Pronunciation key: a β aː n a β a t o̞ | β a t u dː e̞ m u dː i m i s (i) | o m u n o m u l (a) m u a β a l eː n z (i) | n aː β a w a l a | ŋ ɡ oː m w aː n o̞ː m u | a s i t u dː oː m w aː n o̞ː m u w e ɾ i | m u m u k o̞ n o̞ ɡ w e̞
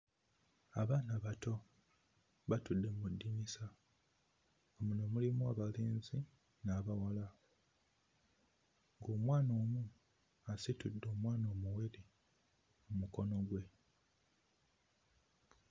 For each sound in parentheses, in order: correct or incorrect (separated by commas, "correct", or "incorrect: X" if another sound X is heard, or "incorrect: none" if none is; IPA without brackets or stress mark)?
incorrect: a, incorrect: i, correct